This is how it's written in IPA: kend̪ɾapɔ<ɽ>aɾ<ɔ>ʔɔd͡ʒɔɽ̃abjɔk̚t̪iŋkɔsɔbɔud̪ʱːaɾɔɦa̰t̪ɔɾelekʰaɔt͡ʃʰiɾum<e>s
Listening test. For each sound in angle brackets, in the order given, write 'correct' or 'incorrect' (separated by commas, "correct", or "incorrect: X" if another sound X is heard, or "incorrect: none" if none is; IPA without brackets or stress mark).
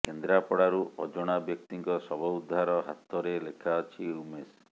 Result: correct, incorrect: u, correct